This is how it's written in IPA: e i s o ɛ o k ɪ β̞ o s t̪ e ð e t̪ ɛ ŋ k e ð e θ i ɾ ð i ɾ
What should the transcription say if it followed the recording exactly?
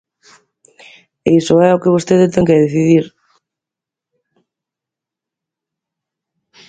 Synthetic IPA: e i s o ɛ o k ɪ β̞ o s t̪ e ð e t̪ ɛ ŋ k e ð e θ i ð i ɾ